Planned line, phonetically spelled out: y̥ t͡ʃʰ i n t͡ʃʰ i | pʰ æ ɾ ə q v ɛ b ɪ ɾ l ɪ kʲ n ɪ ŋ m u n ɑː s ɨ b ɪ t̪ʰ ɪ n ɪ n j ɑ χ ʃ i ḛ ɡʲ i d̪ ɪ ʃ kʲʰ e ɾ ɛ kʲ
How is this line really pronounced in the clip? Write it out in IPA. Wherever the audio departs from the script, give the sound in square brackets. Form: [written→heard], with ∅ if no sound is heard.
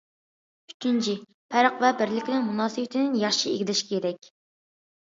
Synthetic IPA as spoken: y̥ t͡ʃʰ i n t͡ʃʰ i | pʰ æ ɾ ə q v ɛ b ɪ ɾ l ɪ kʲ n ɪ ŋ m u n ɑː s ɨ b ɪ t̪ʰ ɪ n ɪ n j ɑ χ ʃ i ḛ ɡʲ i d̪ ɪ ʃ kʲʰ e ɾ ɛ kʲ